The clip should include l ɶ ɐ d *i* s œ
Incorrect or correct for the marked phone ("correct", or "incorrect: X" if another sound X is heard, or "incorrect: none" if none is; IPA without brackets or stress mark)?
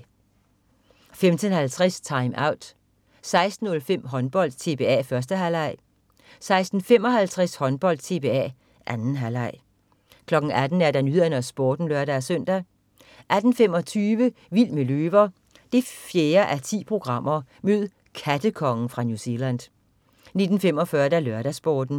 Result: incorrect: æ